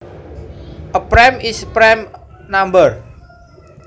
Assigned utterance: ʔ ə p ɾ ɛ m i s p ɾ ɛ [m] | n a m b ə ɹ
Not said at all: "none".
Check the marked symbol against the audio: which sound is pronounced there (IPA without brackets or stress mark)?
m